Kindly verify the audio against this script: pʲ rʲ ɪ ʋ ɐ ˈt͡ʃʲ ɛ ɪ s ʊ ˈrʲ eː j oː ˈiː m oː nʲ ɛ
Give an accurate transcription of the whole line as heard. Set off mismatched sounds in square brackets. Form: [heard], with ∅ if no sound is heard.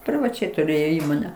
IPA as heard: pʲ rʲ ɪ ʋ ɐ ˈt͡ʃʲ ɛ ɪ [t] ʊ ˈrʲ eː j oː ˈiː m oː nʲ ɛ